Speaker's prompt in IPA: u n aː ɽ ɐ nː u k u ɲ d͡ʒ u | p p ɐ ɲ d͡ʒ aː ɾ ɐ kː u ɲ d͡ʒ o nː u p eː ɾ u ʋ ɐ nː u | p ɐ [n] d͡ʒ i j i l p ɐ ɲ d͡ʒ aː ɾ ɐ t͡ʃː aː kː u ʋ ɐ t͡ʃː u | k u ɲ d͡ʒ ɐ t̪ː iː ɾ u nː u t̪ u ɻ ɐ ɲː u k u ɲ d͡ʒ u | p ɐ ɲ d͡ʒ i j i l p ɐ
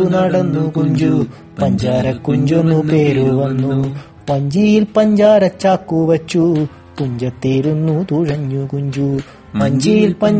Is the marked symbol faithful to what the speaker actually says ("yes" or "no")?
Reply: no